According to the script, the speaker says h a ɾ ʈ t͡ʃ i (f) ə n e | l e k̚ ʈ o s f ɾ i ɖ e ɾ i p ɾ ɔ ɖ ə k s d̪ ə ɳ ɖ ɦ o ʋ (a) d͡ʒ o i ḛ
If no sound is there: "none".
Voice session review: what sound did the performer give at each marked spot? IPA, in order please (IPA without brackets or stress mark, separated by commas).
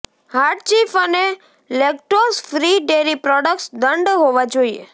f, a